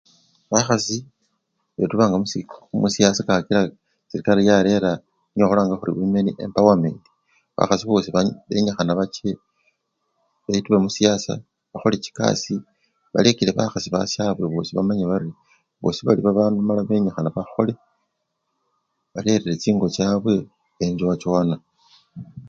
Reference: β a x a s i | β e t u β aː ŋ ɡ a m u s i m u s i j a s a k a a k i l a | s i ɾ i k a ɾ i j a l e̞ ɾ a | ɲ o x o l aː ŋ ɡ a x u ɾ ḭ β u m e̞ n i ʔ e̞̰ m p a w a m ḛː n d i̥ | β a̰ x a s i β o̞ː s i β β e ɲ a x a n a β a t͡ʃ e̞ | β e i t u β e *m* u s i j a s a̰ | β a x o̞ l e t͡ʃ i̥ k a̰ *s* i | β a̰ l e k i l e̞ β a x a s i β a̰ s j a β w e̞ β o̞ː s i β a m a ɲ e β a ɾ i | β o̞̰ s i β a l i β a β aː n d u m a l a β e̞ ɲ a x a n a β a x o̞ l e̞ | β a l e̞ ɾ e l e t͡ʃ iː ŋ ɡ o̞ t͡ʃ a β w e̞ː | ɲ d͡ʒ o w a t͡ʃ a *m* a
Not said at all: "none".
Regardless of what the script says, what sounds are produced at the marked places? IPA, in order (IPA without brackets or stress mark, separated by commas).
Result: m, s, n